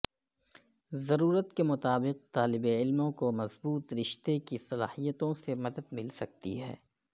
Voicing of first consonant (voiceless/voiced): voiced